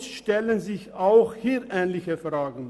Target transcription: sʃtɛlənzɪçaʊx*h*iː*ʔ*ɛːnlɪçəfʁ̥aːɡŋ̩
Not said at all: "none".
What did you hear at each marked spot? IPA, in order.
h, ʔ

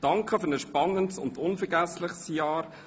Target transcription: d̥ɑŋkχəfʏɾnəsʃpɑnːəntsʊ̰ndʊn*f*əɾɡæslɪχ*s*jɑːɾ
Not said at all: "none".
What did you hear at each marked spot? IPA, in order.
f, s

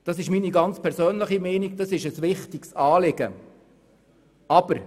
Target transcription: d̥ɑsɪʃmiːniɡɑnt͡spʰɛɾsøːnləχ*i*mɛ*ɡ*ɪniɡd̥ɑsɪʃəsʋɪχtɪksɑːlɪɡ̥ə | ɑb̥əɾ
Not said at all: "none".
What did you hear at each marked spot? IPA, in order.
i, none

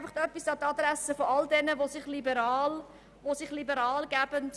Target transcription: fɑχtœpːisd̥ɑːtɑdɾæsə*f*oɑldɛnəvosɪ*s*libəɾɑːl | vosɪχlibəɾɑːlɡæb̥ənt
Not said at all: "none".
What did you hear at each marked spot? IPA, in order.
f, χ

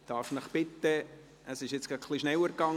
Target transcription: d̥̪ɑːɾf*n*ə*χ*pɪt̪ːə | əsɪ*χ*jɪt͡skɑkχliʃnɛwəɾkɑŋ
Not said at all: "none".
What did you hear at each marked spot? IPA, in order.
n, χ, ʃ

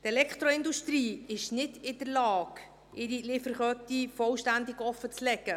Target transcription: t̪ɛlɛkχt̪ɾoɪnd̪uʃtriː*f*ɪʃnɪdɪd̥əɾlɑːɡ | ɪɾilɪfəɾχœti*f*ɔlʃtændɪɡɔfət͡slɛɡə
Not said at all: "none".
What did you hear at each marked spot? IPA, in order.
none, f

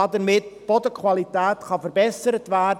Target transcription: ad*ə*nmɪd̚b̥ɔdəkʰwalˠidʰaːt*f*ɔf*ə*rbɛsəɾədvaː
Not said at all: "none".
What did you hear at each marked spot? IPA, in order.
ə, χ, ə

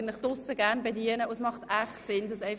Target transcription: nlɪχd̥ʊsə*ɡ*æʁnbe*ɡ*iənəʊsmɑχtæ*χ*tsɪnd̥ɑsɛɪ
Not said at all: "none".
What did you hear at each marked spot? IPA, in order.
ɡ, d, χ

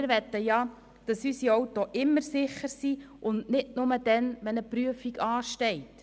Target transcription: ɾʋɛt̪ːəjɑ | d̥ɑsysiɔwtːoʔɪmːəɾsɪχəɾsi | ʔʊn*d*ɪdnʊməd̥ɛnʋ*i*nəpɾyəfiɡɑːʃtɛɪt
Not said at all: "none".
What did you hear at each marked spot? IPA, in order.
n, ɛ

